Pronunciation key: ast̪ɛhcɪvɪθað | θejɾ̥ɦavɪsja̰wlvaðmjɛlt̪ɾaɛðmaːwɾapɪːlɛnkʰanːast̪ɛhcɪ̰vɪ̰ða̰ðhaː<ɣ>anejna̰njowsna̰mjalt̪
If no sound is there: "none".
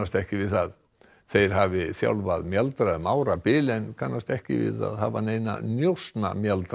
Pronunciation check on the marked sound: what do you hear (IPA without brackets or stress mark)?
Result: v